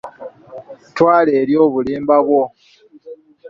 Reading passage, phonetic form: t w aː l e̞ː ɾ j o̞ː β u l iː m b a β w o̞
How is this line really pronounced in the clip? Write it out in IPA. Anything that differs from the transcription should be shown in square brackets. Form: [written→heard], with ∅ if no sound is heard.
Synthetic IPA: t w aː l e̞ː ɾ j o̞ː β u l iː m b a β w o̞